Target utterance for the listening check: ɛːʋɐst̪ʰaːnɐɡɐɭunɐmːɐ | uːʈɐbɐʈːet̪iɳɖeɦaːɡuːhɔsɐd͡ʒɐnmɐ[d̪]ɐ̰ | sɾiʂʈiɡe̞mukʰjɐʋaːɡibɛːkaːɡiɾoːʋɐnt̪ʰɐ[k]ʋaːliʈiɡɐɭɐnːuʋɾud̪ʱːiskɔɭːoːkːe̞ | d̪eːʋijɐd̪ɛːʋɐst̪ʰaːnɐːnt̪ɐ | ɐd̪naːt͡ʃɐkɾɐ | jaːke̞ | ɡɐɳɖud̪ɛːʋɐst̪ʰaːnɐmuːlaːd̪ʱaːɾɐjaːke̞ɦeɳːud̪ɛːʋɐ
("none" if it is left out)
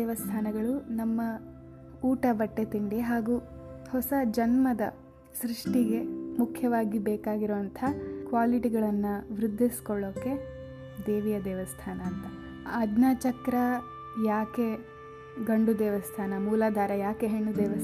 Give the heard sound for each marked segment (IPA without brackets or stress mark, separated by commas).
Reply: d̪, k